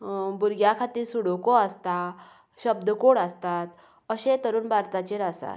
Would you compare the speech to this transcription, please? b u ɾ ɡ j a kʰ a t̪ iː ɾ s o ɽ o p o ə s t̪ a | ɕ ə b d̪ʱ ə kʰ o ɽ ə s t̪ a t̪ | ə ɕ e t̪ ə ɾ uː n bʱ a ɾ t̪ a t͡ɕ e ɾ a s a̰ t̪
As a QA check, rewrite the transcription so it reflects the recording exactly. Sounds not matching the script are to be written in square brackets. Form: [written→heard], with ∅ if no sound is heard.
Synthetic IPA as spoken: b u ɾ ɡ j a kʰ a t̪ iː ɾ s [o→u] ɽ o [p→k] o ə s t̪ a | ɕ ə b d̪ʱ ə [kʰ→k] o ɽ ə s t̪ a t̪ | ə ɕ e t̪ ə ɾ uː n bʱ a ɾ t̪ a t͡ɕ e ɾ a s a̰ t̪